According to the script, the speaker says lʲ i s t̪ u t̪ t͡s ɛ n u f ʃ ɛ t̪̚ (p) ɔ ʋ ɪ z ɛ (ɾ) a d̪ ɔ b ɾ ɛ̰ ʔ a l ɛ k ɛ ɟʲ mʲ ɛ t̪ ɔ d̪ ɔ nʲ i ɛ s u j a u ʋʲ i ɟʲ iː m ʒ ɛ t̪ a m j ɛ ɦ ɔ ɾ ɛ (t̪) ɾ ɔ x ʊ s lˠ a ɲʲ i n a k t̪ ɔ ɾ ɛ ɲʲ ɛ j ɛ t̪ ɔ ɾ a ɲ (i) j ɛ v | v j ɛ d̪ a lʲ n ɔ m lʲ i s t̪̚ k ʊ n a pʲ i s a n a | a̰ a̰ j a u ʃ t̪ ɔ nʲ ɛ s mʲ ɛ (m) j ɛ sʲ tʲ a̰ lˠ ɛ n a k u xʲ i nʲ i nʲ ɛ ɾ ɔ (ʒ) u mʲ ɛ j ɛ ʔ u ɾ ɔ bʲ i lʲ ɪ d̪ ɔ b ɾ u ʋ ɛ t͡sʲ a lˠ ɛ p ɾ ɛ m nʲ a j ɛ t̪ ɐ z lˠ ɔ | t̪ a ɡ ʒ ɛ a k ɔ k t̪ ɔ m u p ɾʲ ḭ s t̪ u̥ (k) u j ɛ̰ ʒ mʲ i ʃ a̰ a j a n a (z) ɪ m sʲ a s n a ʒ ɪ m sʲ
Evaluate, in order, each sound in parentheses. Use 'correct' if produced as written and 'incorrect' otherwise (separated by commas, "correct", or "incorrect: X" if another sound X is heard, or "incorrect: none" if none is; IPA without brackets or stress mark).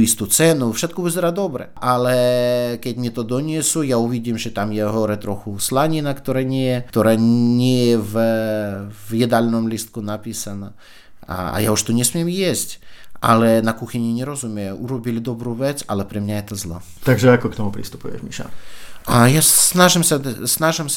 incorrect: k, correct, correct, incorrect: ɛ, correct, incorrect: z, incorrect: p, incorrect: ʒ